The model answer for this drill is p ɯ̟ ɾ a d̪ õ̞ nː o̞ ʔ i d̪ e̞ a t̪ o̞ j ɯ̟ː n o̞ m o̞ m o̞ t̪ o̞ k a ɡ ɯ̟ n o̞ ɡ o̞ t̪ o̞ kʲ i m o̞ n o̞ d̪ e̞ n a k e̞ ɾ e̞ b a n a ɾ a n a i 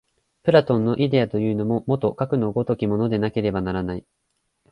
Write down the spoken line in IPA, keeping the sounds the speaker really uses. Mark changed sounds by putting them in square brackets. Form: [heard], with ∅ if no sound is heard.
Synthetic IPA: p ɯ̟ ɾ a [t̪] õ̞ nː o̞ ʔ i d̪ e̞ a t̪ o̞ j ɯ̟ː n o̞ m o̞ m o̞ t̪ o̞ k a [k] ɯ̟ n o̞ ɡ o̞ t̪ o̞ kʲ i m o̞ n o̞ d̪ e̞ n a k e̞ ɾ e̞ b a n a ɾ a n a i